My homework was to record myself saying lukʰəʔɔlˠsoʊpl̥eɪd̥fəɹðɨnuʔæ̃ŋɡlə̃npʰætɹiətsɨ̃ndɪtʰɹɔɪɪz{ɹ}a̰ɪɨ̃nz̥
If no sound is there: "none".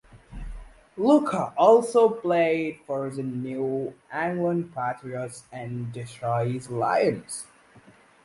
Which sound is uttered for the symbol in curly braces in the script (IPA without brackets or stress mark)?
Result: l